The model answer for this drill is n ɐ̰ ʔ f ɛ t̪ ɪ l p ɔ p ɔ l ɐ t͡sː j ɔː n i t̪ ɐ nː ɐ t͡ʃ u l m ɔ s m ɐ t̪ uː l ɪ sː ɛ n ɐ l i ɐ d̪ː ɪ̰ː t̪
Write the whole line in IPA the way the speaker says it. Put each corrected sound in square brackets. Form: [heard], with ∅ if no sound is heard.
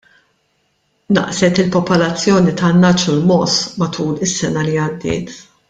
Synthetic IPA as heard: n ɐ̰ ʔ [s] ɛ t̪ ɪ l p ɔ p ɔ l ɐ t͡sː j ɔː n i t̪ ɐ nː ɐ t͡ʃ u l m ɔ s m ɐ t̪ uː l ɪ sː ɛ n ɐ l i ɐ d̪ː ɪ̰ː t̪